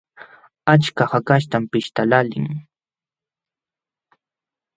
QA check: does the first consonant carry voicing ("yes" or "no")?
no